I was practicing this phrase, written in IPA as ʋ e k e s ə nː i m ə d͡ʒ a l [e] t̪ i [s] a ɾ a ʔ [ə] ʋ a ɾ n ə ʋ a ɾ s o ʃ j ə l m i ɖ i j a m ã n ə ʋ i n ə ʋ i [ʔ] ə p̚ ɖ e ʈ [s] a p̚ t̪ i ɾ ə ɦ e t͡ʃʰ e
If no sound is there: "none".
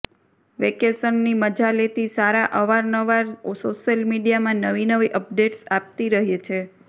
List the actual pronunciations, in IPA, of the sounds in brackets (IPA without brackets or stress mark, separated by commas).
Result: e, s, ə, ʔ, s